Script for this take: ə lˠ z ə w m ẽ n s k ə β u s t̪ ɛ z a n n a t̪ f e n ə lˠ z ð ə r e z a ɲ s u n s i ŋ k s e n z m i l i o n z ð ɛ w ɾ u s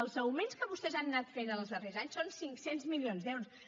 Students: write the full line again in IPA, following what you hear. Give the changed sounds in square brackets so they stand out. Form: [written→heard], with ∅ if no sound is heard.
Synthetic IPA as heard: ə lˠ z ə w m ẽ n s k ə β u s t̪ ɛ z a n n a t̪ f e n ə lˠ z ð ə r e z a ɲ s [u→o] n s i ŋ k s e n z m i l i o n z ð ɛ w ɾ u s